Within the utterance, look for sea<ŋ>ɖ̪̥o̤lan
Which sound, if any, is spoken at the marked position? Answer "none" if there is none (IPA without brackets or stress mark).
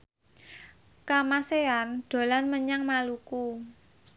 n